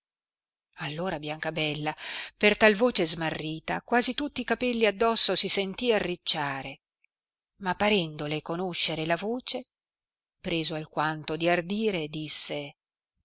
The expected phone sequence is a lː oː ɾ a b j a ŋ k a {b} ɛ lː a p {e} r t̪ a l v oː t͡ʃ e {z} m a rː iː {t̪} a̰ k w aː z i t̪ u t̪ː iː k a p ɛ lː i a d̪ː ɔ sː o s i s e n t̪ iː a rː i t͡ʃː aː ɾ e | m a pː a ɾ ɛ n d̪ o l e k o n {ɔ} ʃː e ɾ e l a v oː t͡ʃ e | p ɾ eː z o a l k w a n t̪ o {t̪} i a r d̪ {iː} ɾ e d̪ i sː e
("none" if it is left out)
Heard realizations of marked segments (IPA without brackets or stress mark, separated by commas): b, e, z, t̪, o, d̪, iː